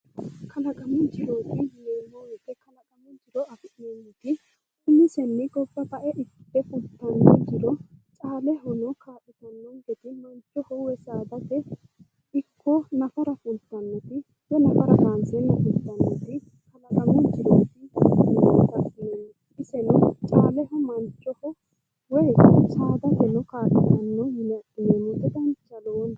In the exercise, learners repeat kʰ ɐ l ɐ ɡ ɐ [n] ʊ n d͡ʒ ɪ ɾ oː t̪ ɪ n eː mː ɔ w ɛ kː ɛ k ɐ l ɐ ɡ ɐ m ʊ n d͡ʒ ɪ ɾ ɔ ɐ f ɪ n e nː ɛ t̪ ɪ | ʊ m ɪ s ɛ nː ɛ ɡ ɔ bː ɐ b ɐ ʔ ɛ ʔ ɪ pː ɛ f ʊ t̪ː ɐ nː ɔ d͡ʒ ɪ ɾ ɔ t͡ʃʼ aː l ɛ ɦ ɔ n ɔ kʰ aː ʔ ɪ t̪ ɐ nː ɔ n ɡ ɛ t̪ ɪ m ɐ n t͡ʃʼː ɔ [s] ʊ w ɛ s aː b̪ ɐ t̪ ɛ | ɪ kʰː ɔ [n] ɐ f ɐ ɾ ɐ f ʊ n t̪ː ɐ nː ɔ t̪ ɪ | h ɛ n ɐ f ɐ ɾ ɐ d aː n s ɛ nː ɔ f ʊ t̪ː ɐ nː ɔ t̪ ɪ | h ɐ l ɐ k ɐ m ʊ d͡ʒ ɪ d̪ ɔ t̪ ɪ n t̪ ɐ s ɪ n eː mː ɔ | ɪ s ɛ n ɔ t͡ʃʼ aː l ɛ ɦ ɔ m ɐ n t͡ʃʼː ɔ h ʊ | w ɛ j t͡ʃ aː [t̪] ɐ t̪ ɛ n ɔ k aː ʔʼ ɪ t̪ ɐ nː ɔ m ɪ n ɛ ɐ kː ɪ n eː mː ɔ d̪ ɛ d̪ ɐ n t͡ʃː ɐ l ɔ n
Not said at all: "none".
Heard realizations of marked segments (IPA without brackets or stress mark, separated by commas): m, h, n, d̪